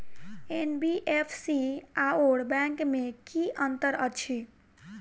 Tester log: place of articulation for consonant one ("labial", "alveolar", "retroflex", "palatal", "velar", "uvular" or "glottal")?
alveolar